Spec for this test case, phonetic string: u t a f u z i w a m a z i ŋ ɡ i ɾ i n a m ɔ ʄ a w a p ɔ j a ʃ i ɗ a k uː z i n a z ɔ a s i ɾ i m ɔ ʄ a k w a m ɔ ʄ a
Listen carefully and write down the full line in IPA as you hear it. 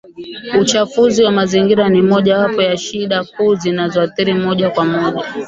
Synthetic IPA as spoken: u t͡ʃ a f u z i w a m a z i ŋ ɡ i ɾ a n i m ɔ ʄ a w a p ɔ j a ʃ i ɗ a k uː z i n a z ɔ a θ i ɾ i m ɔ ʄ a k w a m ɔ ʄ a

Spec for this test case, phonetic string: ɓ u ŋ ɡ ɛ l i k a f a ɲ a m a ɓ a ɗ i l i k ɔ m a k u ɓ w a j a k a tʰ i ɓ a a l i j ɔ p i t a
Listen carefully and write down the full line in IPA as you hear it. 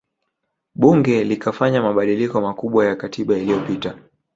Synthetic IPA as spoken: ɓ u ŋ ɡ ɛ l i k a f a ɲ a m a ɓ a ɗ i l i k ɔ m a k u ɓ w a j a k a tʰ i ɓ a i l i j ɔ p i t a

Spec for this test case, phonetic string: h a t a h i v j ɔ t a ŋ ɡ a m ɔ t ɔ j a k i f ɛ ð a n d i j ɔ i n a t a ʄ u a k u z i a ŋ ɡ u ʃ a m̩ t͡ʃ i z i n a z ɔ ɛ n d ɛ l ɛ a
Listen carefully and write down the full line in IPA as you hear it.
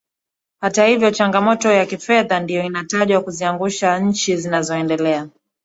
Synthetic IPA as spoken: h a t a h i v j ɔ t͡ʃ a ŋ ɡ a m ɔ t ɔ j a k i f ɛ ð a n d i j ɔ i n a t a ʄ w a k u z i a ŋ ɡ u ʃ a ɲ̩ t͡ʃ i z i n a z ɔ ɛ n d ɛ l ɛ a

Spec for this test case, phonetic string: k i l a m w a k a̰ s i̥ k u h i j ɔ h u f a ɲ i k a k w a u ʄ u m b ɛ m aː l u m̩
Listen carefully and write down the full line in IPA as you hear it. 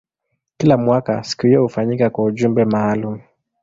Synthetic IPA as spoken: k i l a m w a k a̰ s i̥ k u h i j ɔ h u f a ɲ i k a k w a u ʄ u m b ɛ m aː l u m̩

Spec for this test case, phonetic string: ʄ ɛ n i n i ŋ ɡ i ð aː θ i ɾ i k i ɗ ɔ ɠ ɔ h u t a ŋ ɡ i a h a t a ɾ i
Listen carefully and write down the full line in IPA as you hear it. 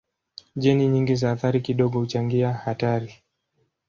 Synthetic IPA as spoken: ʄ ɛ n i ɲ i ŋ ɡ i z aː θ a ɾ i k i ɗ ɔ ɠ ɔ h u t͡ʃ a ŋ ɡ i a h a t a ɾ i

